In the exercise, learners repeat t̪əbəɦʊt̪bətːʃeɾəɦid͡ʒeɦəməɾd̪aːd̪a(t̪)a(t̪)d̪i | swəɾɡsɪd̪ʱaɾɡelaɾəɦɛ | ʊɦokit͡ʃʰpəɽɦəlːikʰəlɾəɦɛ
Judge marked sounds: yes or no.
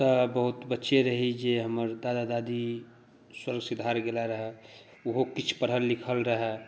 no, no

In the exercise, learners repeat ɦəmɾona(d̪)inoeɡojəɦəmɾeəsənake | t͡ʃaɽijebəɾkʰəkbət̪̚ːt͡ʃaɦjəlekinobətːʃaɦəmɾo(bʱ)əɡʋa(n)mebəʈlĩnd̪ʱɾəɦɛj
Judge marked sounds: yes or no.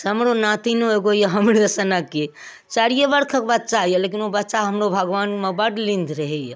no, yes, yes

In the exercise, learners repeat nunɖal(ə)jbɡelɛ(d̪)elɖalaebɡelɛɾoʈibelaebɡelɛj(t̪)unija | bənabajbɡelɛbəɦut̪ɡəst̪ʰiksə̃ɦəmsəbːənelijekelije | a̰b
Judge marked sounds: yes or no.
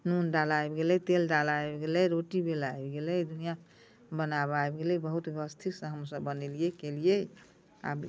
no, no, no

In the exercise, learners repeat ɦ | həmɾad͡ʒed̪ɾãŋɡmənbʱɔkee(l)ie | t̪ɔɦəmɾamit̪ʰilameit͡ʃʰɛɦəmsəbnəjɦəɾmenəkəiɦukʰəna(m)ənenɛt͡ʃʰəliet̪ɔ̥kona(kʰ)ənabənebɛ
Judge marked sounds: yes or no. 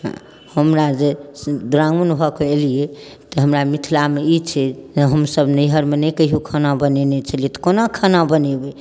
yes, no, yes

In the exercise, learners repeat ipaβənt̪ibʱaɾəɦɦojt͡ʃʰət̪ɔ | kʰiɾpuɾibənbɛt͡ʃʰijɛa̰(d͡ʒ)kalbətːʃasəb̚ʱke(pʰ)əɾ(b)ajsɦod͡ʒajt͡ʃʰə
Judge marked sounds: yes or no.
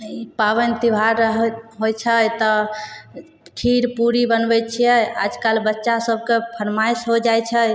yes, yes, no

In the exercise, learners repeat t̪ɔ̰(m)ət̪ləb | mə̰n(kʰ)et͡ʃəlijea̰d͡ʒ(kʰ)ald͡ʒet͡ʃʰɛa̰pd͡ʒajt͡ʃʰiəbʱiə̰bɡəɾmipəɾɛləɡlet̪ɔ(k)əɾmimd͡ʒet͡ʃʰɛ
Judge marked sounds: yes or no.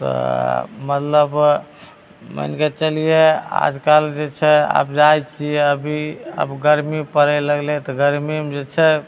yes, no, no, no

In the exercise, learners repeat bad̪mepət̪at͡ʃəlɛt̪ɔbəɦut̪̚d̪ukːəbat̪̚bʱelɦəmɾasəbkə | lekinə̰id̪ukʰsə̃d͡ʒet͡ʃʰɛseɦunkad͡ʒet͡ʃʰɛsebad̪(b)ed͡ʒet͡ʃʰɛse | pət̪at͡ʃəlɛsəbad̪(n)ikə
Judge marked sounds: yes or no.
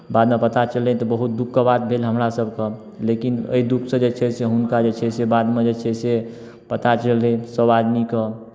no, no

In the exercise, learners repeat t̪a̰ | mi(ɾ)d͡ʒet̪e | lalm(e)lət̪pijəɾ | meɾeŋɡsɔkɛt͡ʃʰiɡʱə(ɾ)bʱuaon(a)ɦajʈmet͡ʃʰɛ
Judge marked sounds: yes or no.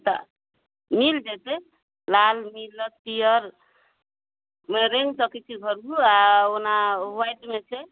no, no, yes, yes

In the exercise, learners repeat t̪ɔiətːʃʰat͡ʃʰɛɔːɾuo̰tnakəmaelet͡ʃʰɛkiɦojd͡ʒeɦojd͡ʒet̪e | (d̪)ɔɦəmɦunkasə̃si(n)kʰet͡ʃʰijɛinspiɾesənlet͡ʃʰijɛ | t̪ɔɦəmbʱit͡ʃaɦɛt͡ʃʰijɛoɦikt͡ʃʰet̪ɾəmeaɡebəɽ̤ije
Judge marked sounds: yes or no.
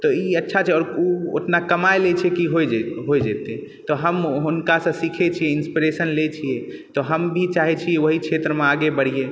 no, no

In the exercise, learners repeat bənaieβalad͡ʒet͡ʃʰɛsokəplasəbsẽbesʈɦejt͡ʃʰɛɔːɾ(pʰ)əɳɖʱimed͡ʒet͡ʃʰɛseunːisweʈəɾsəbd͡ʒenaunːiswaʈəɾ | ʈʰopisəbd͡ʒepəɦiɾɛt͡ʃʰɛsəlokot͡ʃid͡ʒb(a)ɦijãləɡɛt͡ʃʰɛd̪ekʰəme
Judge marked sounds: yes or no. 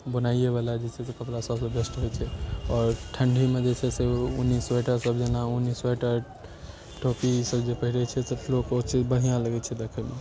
no, no

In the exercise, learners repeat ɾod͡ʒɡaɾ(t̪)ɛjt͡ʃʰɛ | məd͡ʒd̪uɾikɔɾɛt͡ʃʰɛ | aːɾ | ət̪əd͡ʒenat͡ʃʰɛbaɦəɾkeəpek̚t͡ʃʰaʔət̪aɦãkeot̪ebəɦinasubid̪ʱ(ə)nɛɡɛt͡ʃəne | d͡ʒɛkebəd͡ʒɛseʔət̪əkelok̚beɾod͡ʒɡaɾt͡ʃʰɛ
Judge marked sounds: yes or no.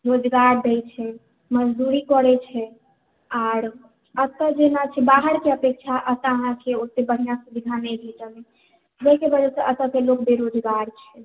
no, no

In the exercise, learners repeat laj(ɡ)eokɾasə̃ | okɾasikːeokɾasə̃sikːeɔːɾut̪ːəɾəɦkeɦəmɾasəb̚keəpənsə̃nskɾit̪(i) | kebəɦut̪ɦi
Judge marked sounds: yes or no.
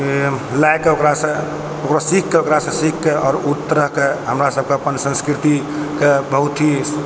no, yes

